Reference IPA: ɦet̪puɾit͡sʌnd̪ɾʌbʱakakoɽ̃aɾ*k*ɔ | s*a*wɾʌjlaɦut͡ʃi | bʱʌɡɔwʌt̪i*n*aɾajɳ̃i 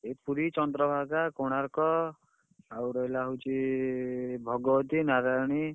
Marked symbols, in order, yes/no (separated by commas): yes, yes, yes